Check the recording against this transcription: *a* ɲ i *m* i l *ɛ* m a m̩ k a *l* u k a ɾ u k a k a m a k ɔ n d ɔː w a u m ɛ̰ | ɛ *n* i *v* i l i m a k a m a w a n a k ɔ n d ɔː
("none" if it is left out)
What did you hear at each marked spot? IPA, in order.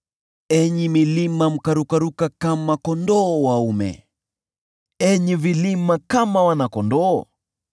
ɛ, m, i, ɾ, ɲ, v

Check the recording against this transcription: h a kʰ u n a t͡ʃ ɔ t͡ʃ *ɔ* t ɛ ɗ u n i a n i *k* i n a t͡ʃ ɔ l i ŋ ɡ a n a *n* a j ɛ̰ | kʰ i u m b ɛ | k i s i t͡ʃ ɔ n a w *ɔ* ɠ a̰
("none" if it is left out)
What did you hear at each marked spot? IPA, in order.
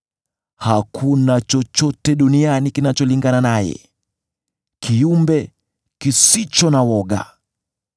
ɔ, k, n, ɔ

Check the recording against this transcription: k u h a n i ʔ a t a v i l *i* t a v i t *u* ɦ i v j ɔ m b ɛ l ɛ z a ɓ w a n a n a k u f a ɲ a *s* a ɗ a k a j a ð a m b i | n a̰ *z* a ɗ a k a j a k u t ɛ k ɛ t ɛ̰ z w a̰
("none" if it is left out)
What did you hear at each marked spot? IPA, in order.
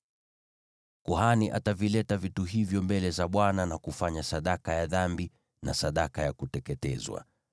ɛ, u, s, s

